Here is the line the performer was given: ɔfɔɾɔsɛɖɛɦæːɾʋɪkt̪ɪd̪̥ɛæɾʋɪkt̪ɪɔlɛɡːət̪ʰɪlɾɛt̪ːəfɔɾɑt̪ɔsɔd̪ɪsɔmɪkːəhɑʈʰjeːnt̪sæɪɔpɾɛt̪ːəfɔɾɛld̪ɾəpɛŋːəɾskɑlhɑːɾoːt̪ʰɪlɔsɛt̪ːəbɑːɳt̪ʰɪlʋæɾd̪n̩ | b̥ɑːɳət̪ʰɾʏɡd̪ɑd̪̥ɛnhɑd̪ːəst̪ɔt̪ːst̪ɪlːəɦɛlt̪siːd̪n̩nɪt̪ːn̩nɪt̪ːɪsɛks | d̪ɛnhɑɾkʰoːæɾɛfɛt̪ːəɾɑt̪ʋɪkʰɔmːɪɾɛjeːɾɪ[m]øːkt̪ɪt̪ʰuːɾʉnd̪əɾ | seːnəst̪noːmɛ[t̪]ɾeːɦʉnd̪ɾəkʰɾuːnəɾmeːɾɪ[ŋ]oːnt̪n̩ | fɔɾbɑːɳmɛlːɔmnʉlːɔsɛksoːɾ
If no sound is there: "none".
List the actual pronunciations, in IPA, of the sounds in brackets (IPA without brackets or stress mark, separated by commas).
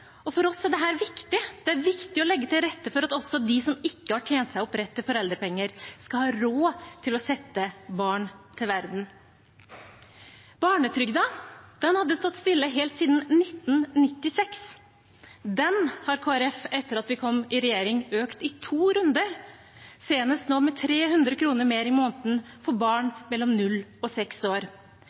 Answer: ŋ, t̪ʰ, m